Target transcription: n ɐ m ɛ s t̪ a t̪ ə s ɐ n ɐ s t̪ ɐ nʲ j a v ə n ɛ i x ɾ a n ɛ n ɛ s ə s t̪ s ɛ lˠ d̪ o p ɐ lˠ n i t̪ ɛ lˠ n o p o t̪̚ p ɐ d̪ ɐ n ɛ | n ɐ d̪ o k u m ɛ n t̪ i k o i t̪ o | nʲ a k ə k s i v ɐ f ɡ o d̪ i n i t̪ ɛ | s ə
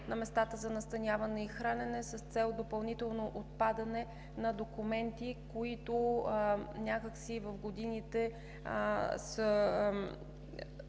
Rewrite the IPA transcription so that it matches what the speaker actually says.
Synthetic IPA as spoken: n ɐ m ɛ s t̪ a t̪ ə z ɐ n ɐ s t̪ ɐ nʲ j a v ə n ɛ i x ɾ a n ɛ n ɛ s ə s t̪ s ɛ lˠ d̪ o p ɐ lˠ n i t̪ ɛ lˠ n o ʔ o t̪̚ p a d̪ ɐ n ɛ | n ɐ d̪ o k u m ɛ n t̪ i k o i t̪ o | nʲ a k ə k s i v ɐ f ɡ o d̪ i n i t̪ ɛ | s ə